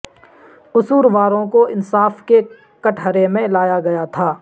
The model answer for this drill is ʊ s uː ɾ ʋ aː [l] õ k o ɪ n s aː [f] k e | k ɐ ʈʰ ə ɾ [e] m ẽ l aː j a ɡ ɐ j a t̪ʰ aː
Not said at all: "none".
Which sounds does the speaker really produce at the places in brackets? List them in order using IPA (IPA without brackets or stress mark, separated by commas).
ɾ, f, e